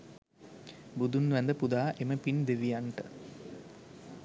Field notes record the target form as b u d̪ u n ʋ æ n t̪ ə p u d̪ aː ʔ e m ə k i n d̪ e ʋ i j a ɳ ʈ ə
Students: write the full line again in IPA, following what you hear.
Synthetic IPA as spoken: b u d̪ u n ʋ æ n d̪ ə p u d̪ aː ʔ e m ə p i n d̪ e ʋ i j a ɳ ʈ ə